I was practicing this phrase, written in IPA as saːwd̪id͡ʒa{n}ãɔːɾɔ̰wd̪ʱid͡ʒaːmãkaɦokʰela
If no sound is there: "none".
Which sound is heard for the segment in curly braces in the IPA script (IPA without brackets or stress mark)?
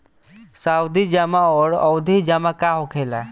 m